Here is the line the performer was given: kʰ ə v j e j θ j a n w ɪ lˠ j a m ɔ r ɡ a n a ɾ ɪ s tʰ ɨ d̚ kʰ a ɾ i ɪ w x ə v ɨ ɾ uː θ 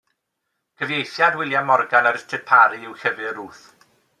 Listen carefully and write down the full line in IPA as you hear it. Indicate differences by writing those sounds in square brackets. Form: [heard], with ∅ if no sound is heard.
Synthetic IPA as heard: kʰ ə v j e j θ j a [d] w ɪ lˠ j a m ɔ r ɡ a n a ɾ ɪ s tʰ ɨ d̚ [pʰ] a ɾ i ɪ w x ə v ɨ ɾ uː θ